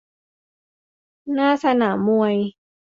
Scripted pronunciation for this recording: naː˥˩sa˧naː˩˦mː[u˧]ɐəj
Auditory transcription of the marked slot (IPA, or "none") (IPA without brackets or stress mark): u˧